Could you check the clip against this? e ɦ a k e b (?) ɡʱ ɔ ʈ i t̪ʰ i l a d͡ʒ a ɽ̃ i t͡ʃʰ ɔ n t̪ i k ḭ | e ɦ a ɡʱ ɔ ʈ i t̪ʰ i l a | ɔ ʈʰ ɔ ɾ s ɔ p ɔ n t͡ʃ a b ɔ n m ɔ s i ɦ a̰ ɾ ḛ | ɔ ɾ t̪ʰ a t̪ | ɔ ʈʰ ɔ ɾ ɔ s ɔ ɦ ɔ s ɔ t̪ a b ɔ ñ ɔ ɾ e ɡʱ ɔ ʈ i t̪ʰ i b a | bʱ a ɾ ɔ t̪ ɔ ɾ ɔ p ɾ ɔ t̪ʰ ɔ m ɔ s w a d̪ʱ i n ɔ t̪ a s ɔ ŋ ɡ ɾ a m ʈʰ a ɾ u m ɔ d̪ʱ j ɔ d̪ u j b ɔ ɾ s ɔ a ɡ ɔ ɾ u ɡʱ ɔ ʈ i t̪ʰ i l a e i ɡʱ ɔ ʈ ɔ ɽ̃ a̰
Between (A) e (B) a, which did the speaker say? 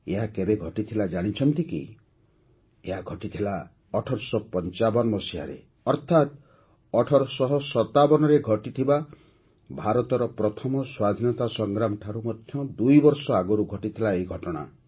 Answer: A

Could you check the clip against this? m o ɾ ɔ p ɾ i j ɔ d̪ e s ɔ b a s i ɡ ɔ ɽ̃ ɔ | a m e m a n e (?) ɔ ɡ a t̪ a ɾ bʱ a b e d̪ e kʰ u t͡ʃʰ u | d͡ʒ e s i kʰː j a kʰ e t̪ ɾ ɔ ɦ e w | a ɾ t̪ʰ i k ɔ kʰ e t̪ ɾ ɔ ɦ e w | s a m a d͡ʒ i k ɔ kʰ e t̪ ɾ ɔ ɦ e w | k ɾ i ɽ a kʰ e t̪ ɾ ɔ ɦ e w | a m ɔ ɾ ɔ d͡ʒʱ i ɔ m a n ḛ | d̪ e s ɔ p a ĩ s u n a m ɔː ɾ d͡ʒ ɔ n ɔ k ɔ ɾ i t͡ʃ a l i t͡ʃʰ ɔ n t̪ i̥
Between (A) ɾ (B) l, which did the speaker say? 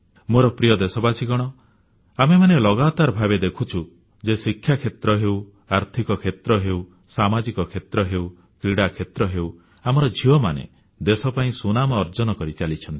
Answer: B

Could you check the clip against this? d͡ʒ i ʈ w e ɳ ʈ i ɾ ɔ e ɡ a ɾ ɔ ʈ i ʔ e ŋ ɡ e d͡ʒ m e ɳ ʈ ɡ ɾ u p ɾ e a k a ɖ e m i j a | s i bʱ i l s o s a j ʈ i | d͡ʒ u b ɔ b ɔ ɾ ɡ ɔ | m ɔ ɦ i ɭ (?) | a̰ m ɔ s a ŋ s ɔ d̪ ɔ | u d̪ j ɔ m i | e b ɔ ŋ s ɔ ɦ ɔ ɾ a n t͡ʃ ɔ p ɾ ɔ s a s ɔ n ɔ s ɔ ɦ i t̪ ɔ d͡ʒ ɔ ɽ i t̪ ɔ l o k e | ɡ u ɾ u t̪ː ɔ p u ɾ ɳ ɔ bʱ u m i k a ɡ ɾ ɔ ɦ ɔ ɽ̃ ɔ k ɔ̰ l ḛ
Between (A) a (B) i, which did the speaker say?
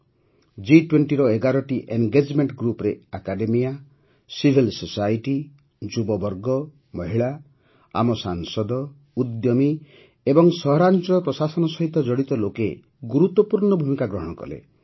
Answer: A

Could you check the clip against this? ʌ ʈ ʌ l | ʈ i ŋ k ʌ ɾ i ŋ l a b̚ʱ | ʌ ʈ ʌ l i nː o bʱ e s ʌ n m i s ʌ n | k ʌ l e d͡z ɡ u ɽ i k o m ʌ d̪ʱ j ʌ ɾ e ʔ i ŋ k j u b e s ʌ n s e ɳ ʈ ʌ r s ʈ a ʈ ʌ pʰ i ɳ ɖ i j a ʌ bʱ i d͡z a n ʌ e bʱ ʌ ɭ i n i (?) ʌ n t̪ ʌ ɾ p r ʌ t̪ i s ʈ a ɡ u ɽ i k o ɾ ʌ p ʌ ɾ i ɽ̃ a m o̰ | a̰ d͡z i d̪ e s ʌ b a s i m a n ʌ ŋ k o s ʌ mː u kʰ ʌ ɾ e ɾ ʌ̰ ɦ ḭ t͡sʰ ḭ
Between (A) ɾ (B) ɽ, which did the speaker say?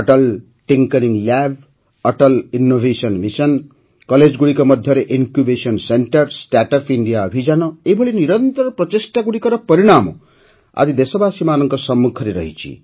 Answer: A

